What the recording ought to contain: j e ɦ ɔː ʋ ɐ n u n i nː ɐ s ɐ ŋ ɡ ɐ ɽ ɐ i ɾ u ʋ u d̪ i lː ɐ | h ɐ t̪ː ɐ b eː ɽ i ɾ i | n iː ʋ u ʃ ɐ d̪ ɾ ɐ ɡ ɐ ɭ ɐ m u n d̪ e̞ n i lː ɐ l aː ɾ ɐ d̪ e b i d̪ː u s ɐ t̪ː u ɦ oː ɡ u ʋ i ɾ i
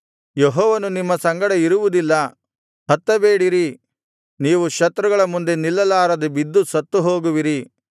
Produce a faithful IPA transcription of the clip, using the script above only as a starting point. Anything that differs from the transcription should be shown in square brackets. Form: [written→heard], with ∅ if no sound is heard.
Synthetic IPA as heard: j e ɦ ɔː ʋ ɐ n u n i [nː→mː] ɐ s ɐ ŋ ɡ ɐ ɽ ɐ i ɾ u ʋ u d̪ i lː ɐ | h ɐ t̪ː ɐ b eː ɽ i ɾ i | n iː ʋ u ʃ ɐ [d̪→t̪] ɾ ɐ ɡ ɐ ɭ ɐ m u n d̪ e̞ n i lː ɐ l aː ɾ ɐ d̪ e b i d̪ː u s ɐ t̪ː u ɦ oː ɡ u ʋ i ɾ i